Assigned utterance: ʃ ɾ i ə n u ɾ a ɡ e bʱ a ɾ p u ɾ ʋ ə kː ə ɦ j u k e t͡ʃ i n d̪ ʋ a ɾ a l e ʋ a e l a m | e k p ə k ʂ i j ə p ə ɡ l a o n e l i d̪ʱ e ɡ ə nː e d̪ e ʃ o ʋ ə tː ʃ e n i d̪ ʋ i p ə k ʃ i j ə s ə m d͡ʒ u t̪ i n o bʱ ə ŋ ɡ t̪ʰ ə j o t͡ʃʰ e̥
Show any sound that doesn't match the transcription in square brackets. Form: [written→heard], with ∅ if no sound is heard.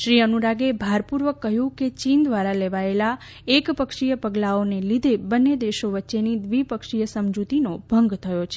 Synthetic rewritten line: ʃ ɾ i ə n u ɾ a ɡ e bʱ a ɾ p u ɾ ʋ ə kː ə ɦ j [u→ũ] k e t͡ʃ i n d̪ ʋ a ɾ a l e ʋ a e l a [m→∅] | e k p ə k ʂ i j ə p ə ɡ l a o n e l i d̪ʱ e [ɡ→b] ə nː e d̪ e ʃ o ʋ ə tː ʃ e n i d̪ ʋ i p ə k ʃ i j ə s ə m d͡ʒ u t̪ i n o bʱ ə ŋ ɡ t̪ʰ ə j o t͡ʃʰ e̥